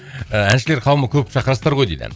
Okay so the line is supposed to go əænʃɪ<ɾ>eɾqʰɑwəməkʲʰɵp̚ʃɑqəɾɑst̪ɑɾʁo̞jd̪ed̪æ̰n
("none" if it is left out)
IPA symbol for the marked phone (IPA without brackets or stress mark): l